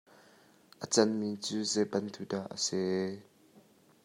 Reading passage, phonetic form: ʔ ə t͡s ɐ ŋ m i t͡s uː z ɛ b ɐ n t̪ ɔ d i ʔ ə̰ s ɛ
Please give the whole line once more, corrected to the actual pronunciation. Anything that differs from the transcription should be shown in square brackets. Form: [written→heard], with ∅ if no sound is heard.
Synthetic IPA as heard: ʔ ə t͡s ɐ [ŋ→n] m i t͡s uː z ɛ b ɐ n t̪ [ɔ→u] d [i→a] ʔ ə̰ s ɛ